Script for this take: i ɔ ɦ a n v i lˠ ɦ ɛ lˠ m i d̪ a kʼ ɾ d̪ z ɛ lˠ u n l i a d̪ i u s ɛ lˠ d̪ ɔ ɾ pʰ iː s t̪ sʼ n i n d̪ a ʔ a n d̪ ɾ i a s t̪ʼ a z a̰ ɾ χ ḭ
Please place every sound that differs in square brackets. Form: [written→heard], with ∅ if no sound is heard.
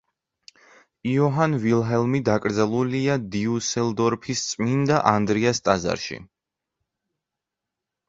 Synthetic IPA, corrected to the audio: i ɔ ɦ a n v i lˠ ɦ ɛ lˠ m i d̪ a kʼ ɾ d̪ z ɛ lˠ u [n→∅] l i a d̪ i u s ɛ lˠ d̪ ɔ ɾ pʰ [iː→i] s t̪ sʼ [n→m] i n d̪ a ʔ a n d̪ ɾ i a s t̪ʼ a z a̰ ɾ [χ→ʃ] ḭ